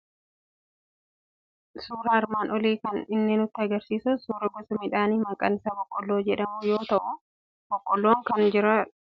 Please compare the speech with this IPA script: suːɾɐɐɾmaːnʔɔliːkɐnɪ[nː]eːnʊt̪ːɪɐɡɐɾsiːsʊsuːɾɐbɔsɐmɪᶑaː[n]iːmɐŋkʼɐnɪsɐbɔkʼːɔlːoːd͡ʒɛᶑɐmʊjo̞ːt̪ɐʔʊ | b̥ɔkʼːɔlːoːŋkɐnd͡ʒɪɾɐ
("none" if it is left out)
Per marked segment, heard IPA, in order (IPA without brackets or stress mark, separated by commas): nː, n